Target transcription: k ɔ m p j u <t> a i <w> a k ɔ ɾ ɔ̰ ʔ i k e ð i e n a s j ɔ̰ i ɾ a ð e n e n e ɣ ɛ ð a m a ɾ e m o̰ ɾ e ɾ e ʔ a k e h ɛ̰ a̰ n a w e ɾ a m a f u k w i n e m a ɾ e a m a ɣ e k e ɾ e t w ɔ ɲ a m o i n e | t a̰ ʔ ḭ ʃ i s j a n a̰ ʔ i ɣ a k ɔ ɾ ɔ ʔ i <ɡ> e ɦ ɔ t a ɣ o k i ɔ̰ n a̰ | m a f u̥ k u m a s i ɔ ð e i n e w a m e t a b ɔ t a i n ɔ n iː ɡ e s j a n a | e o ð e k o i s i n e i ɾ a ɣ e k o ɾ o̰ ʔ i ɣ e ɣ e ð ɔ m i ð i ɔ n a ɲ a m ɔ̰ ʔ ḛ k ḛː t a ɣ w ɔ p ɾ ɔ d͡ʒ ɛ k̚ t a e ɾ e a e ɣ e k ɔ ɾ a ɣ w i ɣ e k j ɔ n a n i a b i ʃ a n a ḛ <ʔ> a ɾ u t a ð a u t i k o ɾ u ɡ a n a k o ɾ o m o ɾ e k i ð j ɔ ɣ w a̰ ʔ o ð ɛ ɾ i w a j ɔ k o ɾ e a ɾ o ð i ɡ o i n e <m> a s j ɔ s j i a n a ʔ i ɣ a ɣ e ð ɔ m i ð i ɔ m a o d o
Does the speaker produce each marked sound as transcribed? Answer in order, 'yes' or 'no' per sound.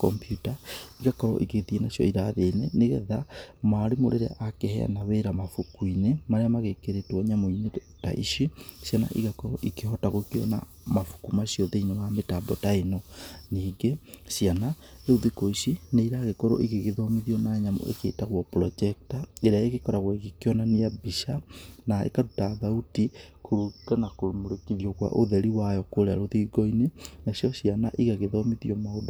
yes, no, no, no, no

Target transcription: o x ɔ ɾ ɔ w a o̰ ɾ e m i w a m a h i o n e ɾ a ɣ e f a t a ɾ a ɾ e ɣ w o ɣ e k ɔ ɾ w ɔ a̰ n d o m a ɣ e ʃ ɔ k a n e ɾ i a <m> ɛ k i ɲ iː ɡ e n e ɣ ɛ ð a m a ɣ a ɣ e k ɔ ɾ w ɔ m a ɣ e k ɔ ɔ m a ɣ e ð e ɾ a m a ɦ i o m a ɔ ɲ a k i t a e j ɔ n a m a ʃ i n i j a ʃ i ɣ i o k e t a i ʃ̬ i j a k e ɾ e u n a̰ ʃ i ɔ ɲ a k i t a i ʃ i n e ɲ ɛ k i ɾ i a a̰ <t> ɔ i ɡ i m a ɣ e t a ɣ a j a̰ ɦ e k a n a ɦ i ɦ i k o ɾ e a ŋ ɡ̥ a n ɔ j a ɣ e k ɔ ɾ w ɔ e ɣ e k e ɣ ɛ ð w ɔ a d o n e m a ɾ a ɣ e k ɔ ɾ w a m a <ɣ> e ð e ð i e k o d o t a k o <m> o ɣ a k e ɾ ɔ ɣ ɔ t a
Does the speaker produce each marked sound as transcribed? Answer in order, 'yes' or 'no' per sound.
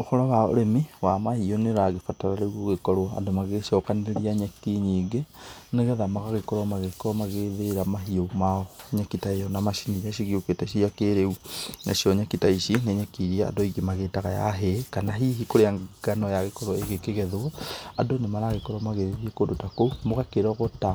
no, no, yes, yes

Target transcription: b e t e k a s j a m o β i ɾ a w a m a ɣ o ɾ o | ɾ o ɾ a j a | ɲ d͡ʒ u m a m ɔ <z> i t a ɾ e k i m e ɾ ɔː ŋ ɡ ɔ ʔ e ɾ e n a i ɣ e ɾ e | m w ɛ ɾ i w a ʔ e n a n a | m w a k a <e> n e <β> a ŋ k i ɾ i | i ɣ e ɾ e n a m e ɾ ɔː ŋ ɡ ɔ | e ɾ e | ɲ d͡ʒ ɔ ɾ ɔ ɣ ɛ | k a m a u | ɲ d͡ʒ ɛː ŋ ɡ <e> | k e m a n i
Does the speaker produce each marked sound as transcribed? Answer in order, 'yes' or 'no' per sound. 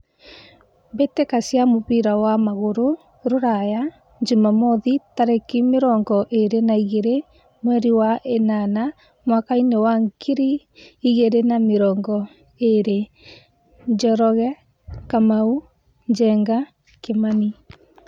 no, no, no, no

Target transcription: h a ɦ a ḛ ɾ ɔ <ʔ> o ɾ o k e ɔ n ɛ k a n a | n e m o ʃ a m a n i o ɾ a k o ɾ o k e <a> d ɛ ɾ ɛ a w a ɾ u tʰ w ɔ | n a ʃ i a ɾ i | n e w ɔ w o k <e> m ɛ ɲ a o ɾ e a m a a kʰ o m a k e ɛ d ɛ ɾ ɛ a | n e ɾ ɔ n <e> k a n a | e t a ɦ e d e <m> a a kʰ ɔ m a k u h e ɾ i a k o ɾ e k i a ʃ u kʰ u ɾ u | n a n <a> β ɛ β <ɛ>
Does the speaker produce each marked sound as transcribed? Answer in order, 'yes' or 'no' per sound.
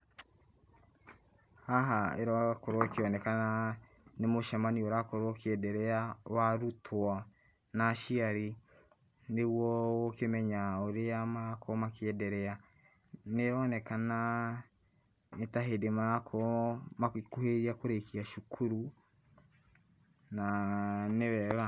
no, no, yes, no, yes, no, no

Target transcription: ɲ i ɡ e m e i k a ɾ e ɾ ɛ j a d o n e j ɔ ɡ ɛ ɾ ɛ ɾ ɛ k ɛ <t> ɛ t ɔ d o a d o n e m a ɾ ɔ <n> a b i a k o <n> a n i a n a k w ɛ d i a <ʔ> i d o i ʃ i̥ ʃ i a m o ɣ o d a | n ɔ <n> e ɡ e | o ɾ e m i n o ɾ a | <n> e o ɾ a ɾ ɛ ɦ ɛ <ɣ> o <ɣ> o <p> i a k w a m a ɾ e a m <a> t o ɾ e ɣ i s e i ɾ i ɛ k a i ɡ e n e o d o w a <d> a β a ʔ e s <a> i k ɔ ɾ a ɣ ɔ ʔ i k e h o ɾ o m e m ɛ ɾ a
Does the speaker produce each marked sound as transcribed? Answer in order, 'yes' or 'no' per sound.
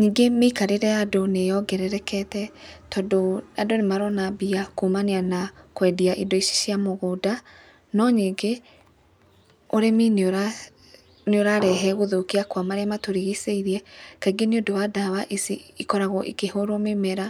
yes, yes, no, yes, no, yes, yes, no, no, yes, yes, no

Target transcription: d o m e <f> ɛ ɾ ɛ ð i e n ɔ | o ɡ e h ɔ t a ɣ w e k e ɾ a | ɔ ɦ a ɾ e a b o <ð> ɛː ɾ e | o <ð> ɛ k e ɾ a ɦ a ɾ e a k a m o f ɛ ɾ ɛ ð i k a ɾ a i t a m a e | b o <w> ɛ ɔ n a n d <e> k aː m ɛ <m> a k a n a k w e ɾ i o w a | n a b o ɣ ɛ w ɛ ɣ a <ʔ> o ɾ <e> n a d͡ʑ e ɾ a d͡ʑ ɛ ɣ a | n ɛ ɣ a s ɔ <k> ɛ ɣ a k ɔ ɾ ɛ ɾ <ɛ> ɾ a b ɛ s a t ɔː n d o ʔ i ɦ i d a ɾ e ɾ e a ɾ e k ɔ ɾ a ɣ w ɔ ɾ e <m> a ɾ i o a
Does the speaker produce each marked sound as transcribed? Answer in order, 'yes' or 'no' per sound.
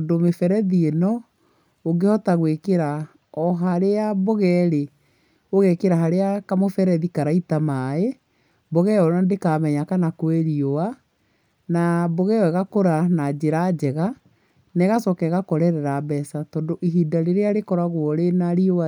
yes, no, no, no, yes, no, no, no, yes, yes, no

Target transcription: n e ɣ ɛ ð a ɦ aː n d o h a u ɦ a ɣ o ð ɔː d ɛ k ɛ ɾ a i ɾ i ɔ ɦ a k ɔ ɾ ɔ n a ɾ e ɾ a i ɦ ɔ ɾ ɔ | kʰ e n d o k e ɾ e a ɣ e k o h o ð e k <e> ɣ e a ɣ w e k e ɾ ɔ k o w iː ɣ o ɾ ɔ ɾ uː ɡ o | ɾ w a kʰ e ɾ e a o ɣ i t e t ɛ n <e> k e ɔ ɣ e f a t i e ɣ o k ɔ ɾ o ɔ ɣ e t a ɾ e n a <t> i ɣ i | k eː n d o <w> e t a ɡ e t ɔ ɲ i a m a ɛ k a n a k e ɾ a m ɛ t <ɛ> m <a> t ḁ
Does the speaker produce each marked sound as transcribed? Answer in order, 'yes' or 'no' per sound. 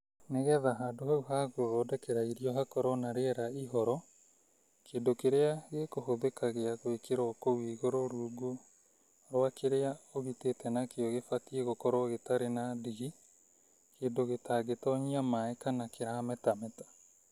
no, no, no, no, no, no

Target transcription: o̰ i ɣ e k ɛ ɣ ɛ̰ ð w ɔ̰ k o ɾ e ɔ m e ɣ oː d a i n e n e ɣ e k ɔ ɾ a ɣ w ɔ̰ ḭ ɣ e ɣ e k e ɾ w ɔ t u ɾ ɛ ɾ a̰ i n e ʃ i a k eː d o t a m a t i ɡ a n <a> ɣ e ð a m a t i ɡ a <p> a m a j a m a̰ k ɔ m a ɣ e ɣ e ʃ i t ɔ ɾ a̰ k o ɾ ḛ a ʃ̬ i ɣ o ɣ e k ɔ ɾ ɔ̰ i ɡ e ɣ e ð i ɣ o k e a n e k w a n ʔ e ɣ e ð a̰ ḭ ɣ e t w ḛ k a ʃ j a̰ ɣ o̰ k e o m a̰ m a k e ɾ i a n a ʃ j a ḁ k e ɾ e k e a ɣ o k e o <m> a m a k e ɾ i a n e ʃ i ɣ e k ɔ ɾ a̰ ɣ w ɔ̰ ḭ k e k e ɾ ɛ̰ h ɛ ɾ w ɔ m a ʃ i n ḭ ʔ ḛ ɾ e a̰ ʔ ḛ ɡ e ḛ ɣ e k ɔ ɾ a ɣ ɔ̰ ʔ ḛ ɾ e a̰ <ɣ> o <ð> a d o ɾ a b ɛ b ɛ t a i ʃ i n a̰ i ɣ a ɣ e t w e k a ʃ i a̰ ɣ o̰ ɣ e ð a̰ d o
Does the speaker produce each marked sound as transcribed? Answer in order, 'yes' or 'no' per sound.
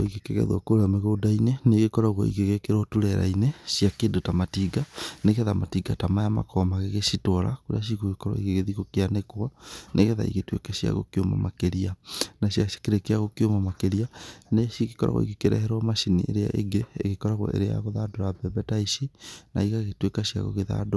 no, no, yes, yes, yes

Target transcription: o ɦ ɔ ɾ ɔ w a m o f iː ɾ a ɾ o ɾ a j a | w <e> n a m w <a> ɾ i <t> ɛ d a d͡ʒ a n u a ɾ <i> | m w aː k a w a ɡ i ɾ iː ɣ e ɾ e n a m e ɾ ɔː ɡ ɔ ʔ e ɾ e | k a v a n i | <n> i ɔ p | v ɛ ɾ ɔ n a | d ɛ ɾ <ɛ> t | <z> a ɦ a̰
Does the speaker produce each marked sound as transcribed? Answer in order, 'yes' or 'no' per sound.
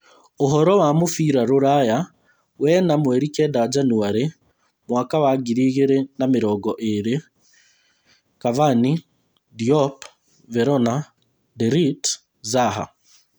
no, no, no, no, no, no, yes

